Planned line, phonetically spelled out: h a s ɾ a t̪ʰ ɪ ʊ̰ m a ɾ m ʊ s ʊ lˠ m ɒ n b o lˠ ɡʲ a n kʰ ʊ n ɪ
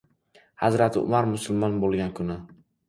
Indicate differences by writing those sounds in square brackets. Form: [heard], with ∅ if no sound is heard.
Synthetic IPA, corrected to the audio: h a [z] ɾ a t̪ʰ ɪ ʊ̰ m a ɾ m ʊ s ʊ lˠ m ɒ n b o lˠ ɡʲ a n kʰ ʊ n ɪ